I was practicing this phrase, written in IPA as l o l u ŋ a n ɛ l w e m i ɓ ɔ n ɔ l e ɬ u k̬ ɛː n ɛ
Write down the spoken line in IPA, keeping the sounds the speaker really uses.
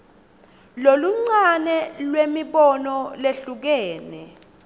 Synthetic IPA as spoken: l o l u ŋ͡ǀ a n ɛ l w e m i ɓ ɔ n ɔ l e ɬ u k̬ ɛː n ɛ

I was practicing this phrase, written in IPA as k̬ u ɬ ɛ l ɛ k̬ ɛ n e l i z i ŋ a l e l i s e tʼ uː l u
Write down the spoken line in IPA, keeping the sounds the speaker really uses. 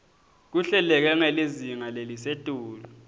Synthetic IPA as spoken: k̬ u ɬ ɛ l ɛ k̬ ɛ ŋ e l i z i ŋ a l e l i s e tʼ uː l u

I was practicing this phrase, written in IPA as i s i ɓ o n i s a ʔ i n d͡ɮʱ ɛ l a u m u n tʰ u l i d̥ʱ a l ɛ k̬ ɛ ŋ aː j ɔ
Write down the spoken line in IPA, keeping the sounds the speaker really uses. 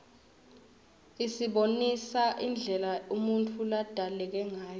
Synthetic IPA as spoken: i s i ɓ o n i s a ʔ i n d͡ɮʱ ɛ l a u m u n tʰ u l a d̥ʱ a l ɛ k̬ ɛ ŋ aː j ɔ

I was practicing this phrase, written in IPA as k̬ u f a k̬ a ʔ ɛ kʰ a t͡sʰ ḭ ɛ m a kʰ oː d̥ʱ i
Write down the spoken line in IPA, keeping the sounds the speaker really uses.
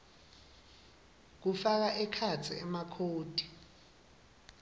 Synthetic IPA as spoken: k̬ u f a k̬ a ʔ ɛ kʰ a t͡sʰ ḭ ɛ m a kʰ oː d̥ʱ i

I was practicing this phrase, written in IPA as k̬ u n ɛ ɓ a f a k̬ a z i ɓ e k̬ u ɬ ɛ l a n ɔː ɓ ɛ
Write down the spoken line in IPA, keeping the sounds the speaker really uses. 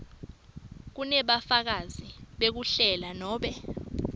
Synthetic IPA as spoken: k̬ u n ɛ ɓ a f a k̬ a z i ɓ e k̬ u ɬ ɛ l a n ɔː ɓ ɛ

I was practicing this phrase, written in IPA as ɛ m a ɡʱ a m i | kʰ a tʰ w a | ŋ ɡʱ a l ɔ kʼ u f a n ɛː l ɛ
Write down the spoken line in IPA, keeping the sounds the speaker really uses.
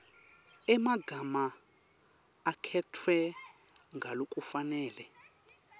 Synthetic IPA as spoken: ɛ m a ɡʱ a m a | kʰ ɛ tʰ w ɛ | ŋ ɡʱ a l o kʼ u f a n ɛː l ɛ

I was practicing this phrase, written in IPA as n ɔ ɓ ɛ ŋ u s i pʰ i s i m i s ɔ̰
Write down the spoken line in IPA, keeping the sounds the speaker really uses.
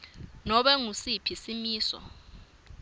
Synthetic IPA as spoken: n ɔ ɓ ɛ ŋ u s i pʰ i s i m iː s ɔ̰

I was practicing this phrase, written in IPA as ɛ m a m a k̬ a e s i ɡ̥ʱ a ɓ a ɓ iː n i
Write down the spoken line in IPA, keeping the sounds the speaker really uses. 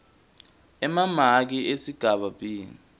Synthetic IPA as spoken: ɛ m a m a k̬ i e s i ɡ̥ʱ a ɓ a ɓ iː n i

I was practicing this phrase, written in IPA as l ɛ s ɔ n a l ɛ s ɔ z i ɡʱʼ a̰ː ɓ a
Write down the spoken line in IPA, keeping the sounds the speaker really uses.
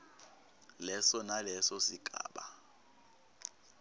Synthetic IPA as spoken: l ɛ s ɔ n a l ɛ s ɔ s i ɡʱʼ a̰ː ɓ a

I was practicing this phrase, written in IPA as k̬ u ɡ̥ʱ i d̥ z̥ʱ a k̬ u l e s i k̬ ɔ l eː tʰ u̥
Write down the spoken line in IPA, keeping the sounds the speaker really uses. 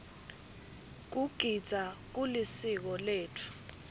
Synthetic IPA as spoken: k̬ u ɡ̥ʱ i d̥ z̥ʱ a k̬ u l i s i k̬ ɔ l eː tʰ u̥

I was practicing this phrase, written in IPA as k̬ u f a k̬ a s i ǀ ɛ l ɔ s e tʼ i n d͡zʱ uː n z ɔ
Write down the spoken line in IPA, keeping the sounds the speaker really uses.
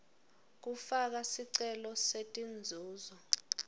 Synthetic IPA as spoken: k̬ u f a k̬ a s i ǀ ɛ l ɔ s e tʼ i n d͡zʱ uː z ɔ

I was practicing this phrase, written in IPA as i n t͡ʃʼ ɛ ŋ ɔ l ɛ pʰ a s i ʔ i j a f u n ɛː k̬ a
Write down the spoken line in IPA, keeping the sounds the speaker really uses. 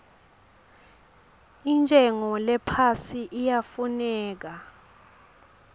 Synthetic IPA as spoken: i n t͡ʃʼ ɛ ŋ ɔ l ɛ pʰ a s i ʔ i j a f u n ɛː k̬ a

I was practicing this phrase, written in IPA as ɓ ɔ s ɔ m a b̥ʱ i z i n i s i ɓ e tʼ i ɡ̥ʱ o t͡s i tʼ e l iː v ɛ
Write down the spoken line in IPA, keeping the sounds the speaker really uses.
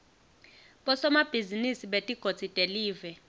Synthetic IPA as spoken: ɓ ɔ s ɔ m a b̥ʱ i z i n i s i ɓ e tʼ i ɡ̥ʱ o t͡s i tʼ e l iː v ɛ

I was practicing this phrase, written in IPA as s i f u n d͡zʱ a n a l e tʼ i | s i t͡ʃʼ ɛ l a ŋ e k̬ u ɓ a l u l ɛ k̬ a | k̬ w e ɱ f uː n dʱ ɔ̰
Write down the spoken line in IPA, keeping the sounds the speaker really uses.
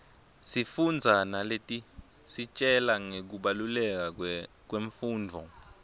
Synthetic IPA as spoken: s i f u n d͡zʱ a n a l e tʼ i | s i t͡ʃʼ ɛ l a ŋ e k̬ u ɓ a l u l ɛ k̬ a | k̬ w e ɱ f uː n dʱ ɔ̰

